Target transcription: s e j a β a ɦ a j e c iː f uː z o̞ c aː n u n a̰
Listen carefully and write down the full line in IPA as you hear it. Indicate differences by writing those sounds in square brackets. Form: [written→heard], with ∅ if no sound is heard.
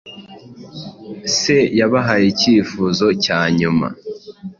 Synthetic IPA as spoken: s e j a β a ɦ a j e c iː f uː z o̞ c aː [n→ɲ] u [n→m] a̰